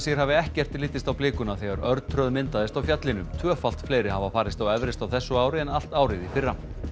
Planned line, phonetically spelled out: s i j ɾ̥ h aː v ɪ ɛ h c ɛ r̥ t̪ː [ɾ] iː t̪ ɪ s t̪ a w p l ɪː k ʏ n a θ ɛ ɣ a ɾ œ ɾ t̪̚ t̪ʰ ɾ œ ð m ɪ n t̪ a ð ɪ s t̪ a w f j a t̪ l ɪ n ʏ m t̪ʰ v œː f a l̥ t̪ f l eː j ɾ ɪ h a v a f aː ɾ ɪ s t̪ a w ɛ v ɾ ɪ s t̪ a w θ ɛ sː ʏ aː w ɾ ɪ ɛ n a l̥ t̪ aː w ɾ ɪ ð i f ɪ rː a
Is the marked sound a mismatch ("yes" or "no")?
yes